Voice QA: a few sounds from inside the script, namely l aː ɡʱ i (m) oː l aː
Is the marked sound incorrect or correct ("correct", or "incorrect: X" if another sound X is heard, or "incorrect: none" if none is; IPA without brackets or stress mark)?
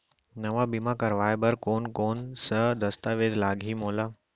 correct